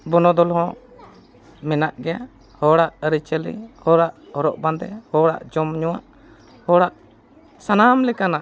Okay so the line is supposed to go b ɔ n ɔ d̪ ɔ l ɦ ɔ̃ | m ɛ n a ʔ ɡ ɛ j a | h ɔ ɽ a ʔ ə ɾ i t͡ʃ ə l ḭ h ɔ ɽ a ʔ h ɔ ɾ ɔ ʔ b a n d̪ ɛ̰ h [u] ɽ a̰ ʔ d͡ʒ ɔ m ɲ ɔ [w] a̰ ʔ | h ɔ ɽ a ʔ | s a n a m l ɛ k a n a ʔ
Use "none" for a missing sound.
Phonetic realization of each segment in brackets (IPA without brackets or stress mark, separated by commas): ɔ, w